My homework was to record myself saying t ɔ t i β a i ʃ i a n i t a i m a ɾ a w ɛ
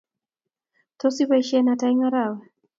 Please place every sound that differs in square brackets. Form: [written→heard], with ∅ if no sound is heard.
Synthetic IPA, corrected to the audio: t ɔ [t→s] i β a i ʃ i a n [i→a] t a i [m→ŋ] a ɾ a w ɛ